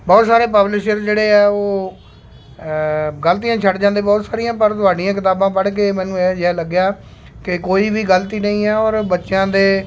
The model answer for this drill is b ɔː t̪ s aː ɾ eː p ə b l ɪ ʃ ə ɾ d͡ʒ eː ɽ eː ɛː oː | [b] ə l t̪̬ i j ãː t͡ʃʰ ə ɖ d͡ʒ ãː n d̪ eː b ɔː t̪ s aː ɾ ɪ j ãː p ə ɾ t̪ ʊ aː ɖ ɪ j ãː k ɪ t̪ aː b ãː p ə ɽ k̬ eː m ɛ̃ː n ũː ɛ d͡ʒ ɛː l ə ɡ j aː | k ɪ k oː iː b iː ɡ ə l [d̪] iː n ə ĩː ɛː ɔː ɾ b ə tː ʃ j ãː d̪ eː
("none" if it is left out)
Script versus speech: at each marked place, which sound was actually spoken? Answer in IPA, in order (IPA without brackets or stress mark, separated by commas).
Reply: ɡ, t̪